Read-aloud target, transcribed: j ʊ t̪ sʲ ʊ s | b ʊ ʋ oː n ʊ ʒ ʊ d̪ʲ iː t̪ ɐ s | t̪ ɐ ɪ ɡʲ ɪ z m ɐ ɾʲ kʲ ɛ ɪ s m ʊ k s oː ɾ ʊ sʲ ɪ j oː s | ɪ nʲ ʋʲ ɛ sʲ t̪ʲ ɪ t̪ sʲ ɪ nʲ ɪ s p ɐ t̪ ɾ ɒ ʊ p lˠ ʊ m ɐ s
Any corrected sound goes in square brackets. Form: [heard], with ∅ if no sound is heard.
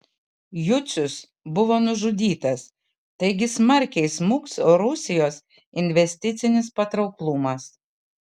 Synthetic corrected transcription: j ʊ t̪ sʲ ʊ s | b ʊ ʋ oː n ʊ ʒ ʊ d̪ʲ iː t̪ ɐ s | t̪ ɐ ɪ ɡʲ ɪ [s] m ɐ ɾʲ kʲ ɛ ɪ s m ʊ k s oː ɾ ʊ sʲ ɪ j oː s | ɪ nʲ ʋʲ ɛ sʲ t̪ʲ ɪ t̪ sʲ ɪ nʲ ɪ s p ɐ t̪ ɾ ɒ ʊ [k] lˠ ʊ m ɐ s

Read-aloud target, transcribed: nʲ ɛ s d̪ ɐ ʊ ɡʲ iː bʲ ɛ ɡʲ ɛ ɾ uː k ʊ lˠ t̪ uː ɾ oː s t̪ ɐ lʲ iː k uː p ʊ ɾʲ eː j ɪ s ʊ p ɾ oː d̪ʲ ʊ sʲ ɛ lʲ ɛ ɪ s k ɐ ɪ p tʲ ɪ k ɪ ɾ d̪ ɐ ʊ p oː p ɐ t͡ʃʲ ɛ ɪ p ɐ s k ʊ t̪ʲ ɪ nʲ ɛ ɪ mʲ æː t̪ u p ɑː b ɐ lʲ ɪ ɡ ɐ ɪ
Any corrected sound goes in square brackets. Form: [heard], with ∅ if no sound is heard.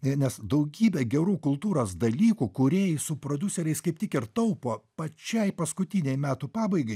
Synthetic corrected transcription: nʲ ɛ s d̪ ɐ ʊ ɡʲ iː bʲ ɛ ɡʲ ɛ ɾ uː k ʊ lˠ t̪ uː ɾ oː s [d̪] ɐ lʲ iː k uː [k] ʊ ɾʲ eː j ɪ s ʊ p ɾ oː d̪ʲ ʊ sʲ ɛ [ɾʲ] ɛ ɪ s k ɐ ɪ p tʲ ɪ k ɪ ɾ [t̪] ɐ ʊ p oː p ɐ t͡ʃʲ ɛ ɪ p ɐ s k ʊ t̪ʲ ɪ nʲ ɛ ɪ mʲ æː t̪ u p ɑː b ɐ [∅] ɪ ɡ ɐ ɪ

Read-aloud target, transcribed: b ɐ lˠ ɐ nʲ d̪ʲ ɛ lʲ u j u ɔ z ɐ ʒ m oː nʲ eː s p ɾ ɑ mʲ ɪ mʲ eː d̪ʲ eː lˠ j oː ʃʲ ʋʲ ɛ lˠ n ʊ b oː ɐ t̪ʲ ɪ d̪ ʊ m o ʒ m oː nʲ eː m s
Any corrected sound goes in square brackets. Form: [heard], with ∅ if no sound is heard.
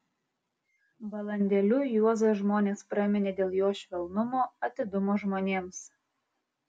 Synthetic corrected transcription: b ɐ lˠ ɐ nʲ d̪ʲ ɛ lʲ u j u ɔ z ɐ ʒ m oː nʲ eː s p ɾ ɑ mʲ ɪ [nʲ] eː d̪ʲ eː lˠ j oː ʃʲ ʋʲ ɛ lˠ n ʊ [m] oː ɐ t̪ʲ ɪ d̪ ʊ m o ʒ m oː nʲ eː m s

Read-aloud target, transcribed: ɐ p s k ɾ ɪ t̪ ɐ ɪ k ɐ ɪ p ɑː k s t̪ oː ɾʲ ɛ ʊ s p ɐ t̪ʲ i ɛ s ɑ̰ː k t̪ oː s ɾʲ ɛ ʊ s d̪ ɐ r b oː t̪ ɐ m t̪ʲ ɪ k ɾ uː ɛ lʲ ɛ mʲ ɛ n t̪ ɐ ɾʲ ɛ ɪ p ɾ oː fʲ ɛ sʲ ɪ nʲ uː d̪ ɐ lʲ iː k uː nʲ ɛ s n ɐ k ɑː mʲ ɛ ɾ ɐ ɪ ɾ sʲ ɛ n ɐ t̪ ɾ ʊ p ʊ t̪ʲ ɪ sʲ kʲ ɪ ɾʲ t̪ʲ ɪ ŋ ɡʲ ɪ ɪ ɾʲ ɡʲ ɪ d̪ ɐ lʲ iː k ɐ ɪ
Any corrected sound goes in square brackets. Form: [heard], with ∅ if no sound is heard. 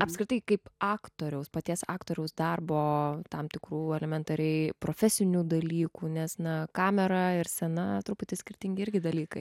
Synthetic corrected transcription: ɐ p s k ɾ ɪ t̪ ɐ ɪ k ɐ ɪ p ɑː k [t] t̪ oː ɾʲ ɛ ʊ s p ɐ t̪ʲ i ɛ s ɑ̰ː k t̪ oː [∅] ɾʲ ɛ ʊ s d̪ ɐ r b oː t̪ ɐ m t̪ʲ ɪ k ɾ uː ɛ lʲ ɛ mʲ ɛ n t̪ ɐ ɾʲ ɛ ɪ p ɾ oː fʲ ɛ sʲ ɪ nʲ uː d̪ ɐ lʲ iː k uː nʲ ɛ s n ɐ k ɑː mʲ ɛ ɾ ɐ ɪ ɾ sʲ ɛ n ɐ t̪ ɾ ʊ p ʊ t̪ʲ ɪ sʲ kʲ ɪ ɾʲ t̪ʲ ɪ ŋ ɡʲ ɪ ɪ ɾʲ ɡʲ ɪ d̪ ɐ lʲ iː k ɐ ɪ

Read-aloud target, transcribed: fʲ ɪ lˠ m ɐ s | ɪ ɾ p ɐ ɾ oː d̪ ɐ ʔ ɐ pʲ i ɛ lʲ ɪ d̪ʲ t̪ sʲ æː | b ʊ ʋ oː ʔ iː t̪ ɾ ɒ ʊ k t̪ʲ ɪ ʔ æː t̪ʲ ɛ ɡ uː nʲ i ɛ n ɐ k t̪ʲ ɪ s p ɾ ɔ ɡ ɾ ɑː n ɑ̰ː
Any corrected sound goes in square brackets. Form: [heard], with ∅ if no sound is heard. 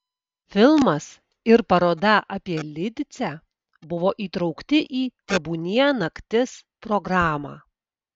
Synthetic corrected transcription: fʲ ɪ lˠ m ɐ s | ɪ ɾ p ɐ ɾ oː d̪ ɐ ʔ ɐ pʲ i ɛ lʲ ɪ d̪ʲ t̪ sʲ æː | b ʊ ʋ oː ʔ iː t̪ ɾ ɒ ʊ k t̪ʲ ɪ ʔ [iː] t̪ʲ ɛ [b] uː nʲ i ɛ n ɐ k t̪ʲ ɪ s p ɾ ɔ ɡ ɾ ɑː [m] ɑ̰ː

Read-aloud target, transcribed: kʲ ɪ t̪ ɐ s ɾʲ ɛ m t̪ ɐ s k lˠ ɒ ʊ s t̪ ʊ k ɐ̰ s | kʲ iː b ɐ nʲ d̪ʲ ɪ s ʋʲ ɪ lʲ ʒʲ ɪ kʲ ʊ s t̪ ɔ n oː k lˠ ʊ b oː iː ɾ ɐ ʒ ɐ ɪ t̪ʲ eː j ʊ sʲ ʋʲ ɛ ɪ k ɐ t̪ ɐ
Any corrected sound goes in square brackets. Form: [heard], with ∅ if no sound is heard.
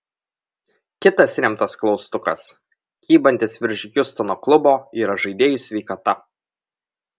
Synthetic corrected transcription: kʲ ɪ t̪ ɐ s ɾʲ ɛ m t̪ ɐ s k lˠ ɒ ʊ s t̪ ʊ k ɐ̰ s | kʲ iː b ɐ nʲ [t̪ʲ] ɪ s ʋʲ ɪ [ɾʲ] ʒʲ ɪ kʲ ʊ s t̪ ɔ n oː k lˠ ʊ b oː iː ɾ ɐ ʒ ɐ ɪ [d̪ʲ] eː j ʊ sʲ ʋʲ ɛ ɪ k ɐ t̪ ɐ

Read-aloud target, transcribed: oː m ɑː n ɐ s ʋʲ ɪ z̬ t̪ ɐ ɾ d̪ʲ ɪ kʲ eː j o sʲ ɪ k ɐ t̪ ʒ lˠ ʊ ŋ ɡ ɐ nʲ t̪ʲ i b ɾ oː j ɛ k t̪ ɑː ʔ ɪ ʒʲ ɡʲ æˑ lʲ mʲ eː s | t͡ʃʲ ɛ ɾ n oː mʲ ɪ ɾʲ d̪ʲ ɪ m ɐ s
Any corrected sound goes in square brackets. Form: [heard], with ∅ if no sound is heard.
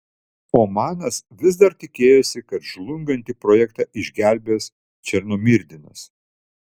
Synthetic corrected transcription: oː m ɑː n ɐ s ʋʲ ɪ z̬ [d̪] ɐ ɾ [t̪ʲ] ɪ kʲ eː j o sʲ ɪ k ɐ t̪ ʒ lˠ ʊ ŋ ɡ ɐ nʲ t̪ʲ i [p] ɾ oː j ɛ k t̪ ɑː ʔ ɪ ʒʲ ɡʲ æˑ lʲ [bʲ] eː s | t͡ʃʲ ɛ ɾ n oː mʲ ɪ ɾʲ d̪ʲ ɪ [n] ɐ s

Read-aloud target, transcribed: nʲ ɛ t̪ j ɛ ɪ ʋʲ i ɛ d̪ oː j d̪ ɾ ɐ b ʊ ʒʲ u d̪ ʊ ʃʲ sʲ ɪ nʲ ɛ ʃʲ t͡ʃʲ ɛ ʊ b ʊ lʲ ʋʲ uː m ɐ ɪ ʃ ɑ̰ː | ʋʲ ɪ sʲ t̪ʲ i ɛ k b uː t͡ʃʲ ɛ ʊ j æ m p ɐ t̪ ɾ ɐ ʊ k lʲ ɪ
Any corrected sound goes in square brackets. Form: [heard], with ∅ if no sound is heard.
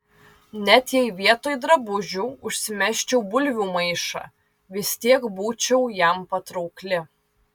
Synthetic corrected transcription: nʲ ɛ t̪ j ɛ ɪ ʋʲ i ɛ [t̪] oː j d̪ ɾ ɐ b ʊ ʒʲ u [∅] ʊ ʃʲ sʲ ɪ [mʲ] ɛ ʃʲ t͡ʃʲ ɛ ʊ b ʊ lʲ ʋʲ uː m ɐ ɪ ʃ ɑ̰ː | ʋʲ ɪ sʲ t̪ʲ i ɛ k b uː t͡ʃʲ ɛ ʊ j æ m p ɐ t̪ ɾ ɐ ʊ k lʲ ɪ

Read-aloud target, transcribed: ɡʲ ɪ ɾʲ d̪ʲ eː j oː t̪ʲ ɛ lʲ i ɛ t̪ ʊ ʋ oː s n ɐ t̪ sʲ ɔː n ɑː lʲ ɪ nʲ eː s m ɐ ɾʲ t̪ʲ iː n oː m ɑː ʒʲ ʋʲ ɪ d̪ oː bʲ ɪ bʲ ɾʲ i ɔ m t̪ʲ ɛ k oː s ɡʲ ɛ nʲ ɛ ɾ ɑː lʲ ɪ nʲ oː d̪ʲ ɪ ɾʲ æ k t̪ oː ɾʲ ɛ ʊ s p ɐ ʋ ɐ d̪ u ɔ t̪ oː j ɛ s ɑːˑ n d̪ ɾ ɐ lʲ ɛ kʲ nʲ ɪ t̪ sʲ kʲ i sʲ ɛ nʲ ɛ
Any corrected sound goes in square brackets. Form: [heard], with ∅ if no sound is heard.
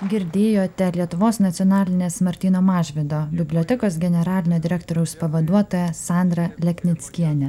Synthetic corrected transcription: ɡʲ ɪ ɾʲ d̪ʲ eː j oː t̪ʲ ɛ lʲ i ɛ t̪ ʊ ʋ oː s n ɐ t̪ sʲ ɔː n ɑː lʲ ɪ nʲ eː s m ɐ ɾʲ t̪ʲ iː n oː m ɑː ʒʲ ʋʲ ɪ d̪ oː bʲ ɪ bʲ [lʲ] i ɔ [∅] t̪ʲ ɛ k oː s ɡʲ ɛ nʲ ɛ ɾ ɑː lʲ ɪ nʲ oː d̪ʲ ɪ ɾʲ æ k t̪ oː ɾʲ ɛ ʊ s p ɐ ʋ ɐ d̪ u ɔ t̪ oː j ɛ s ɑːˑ n d̪ ɾ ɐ lʲ ɛ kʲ nʲ ɪ t̪ sʲ kʲ i [∅] ɛ nʲ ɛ

